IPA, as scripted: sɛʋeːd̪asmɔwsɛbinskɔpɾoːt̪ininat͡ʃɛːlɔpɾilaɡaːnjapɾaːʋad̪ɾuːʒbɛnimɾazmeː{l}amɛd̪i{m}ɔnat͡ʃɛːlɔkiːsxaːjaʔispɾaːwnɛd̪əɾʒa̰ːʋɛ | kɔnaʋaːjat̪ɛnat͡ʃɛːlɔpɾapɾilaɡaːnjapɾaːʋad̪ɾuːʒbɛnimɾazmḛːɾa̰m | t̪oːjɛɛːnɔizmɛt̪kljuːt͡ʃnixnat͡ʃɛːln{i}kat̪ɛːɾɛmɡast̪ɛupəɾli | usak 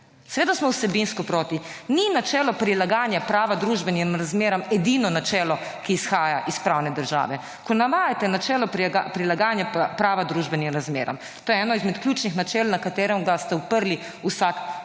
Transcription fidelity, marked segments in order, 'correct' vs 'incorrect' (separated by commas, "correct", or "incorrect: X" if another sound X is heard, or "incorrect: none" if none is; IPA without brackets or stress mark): incorrect: ɾ, incorrect: n, incorrect: a